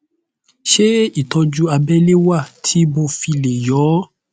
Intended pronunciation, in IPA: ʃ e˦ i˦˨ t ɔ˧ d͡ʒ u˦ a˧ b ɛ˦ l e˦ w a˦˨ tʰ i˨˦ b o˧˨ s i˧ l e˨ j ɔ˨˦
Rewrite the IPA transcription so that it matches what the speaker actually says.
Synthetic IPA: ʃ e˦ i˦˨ t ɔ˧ d͡ʒ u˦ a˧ b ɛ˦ l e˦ w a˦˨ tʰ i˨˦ b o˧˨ f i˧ l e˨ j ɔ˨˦